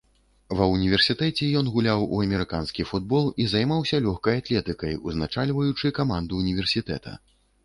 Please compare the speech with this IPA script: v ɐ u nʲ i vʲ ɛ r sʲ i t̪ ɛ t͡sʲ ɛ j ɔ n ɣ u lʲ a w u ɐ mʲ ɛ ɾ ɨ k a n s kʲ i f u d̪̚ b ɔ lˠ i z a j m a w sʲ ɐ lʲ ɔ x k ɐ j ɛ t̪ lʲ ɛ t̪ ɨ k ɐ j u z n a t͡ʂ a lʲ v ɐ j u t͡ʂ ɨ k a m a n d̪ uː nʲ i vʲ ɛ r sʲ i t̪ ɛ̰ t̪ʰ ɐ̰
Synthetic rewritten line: v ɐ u nʲ i vʲ ɛ r sʲ i t̪ ɛ t͡sʲ ɛ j ɔ n ɣ u lʲ a w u ɐ mʲ ɛ ɾ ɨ k a n s kʲ i f u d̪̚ b ɔ lˠ i z a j m a w sʲ ɐ lʲ ɔ x k ɐ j a t̪ lʲ ɛ t̪ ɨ k ɐ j u z n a t͡ʂ a lʲ v ɐ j u t͡ʂ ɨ k a m a n d̪ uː nʲ i vʲ ɛ r sʲ i t̪ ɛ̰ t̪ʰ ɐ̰